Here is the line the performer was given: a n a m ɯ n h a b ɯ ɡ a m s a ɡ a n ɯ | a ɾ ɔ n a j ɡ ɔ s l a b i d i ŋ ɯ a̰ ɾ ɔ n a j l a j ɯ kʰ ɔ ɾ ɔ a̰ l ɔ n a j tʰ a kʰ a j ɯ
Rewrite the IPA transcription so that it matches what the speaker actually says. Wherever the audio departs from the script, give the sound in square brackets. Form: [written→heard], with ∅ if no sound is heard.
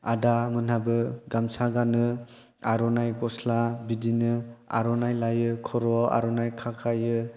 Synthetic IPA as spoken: a [n→d] a m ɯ n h a b ɯ ɡ a m s a ɡ a n ɯ | a ɾ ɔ n a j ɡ ɔ s l a b i d i [ŋ→n] ɯ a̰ ɾ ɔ n a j l a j ɯ kʰ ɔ ɾ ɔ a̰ [l→ɾ] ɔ n a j [tʰ→kʰ] a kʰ a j ɯ